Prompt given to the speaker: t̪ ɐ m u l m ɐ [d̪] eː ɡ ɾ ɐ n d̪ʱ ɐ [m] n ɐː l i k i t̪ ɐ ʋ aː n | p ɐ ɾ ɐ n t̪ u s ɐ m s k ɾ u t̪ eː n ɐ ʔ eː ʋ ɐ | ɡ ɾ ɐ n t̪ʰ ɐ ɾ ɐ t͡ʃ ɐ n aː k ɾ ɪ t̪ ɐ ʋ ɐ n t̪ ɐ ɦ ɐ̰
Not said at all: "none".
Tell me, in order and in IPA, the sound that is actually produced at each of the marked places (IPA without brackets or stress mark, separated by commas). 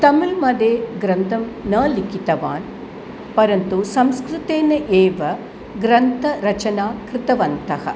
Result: d̪, m